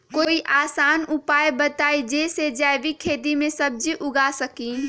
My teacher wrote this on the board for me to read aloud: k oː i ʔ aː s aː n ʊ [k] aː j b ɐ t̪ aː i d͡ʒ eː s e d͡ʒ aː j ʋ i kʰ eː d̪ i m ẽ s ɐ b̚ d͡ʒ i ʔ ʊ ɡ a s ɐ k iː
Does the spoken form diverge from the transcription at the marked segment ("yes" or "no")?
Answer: yes